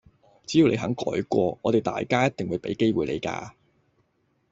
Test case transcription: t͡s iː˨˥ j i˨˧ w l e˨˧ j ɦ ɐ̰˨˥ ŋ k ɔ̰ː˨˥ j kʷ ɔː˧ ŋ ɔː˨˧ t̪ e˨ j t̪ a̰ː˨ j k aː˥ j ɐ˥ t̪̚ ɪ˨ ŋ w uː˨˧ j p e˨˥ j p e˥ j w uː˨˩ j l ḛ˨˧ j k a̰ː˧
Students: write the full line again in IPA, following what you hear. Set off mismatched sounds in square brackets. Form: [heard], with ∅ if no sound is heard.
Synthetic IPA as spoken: t͡s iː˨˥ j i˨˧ w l e˨˧ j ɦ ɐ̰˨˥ ŋ k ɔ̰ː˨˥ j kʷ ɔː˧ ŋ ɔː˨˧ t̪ e˨ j t̪ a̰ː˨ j k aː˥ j ɐ˥ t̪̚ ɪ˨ ŋ w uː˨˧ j p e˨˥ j [k] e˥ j w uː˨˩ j l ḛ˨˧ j k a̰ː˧